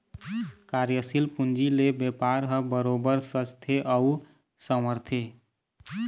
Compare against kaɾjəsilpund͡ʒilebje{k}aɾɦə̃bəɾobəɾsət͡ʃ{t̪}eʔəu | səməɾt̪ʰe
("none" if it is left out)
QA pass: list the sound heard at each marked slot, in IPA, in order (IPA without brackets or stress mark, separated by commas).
p, t̪ʰ